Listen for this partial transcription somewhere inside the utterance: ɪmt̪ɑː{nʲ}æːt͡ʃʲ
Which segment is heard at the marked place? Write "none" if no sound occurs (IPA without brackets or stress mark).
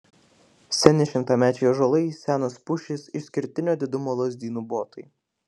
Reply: mʲ